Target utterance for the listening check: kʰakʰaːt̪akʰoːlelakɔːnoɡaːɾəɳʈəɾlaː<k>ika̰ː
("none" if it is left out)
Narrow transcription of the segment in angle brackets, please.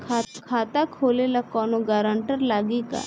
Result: ɡ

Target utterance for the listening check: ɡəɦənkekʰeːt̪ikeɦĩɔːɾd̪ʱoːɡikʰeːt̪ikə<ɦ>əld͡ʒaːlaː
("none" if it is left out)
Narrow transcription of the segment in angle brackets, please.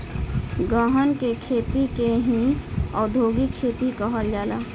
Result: ɦ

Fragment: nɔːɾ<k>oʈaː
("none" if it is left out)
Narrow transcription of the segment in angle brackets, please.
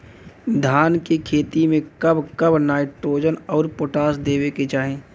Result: p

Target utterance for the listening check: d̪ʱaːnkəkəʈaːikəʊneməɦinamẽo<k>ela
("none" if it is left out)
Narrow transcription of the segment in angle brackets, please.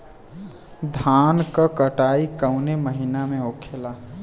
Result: kʰ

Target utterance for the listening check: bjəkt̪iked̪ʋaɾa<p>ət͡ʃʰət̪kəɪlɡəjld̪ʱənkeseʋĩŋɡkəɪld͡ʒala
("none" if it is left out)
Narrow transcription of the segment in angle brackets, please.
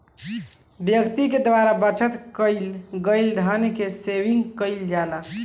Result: b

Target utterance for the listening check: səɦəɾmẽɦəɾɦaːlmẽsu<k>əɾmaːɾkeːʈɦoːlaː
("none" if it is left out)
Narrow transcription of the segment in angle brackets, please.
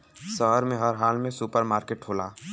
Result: p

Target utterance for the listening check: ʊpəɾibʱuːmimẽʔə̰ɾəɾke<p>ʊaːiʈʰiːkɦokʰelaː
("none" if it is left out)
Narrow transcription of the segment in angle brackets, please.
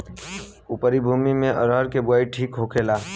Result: b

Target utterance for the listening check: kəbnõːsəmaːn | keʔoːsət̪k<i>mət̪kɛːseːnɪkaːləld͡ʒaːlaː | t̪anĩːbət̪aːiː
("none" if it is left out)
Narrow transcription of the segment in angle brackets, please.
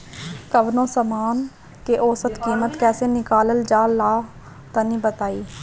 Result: iː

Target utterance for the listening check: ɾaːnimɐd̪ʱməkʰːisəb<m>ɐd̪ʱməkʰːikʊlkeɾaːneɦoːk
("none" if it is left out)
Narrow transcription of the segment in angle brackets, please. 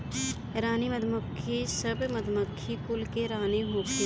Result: m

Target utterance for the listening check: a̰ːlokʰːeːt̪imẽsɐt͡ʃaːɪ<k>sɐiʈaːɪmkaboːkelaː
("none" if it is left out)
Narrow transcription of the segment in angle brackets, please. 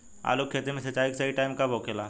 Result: k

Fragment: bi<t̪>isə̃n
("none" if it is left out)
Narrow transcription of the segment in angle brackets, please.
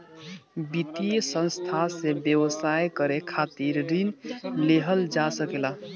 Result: t̪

